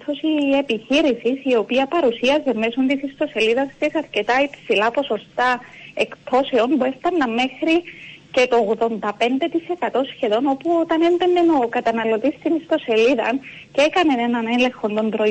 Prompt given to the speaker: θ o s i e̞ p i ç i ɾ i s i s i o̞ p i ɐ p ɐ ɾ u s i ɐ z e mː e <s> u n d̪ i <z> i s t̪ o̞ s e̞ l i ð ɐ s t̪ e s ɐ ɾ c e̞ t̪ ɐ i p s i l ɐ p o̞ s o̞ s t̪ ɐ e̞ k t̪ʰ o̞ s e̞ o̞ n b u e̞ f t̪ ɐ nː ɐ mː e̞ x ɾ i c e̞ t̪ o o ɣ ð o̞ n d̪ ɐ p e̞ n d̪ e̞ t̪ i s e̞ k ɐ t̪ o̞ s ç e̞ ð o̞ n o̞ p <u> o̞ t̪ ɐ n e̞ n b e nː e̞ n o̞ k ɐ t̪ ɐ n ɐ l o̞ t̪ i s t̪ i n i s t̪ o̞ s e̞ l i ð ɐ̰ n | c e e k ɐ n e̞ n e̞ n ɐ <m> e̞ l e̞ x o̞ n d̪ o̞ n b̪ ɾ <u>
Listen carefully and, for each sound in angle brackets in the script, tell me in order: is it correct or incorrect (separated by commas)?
correct, incorrect, correct, incorrect, incorrect